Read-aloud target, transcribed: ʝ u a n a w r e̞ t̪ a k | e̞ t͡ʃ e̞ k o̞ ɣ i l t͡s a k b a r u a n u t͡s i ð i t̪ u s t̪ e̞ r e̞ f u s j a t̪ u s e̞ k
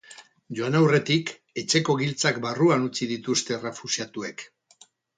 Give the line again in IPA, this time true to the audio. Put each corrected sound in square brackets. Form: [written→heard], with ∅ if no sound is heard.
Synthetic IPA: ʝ [u→o] a n a w r e̞ t̪ [a→i] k | e̞ t͡ʃ e̞ k o̞ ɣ i l t͡s a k b a r u a n u t͡s i ð i t̪ u s t̪ e̞ r e̞ f u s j a t̪ u [s→∅] e̞ k